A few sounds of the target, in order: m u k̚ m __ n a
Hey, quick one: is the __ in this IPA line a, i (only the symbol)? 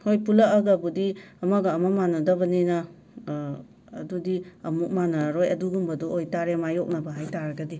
a